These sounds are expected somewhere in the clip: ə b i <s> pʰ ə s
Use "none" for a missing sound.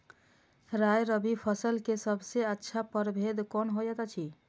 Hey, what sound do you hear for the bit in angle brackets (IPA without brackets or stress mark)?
none